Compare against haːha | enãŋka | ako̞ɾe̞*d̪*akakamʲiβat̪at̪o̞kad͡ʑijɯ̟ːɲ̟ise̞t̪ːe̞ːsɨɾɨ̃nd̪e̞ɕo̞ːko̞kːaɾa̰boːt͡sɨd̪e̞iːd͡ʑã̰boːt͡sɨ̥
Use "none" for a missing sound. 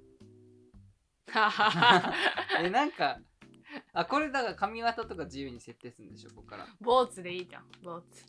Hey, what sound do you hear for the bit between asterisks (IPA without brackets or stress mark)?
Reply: d̪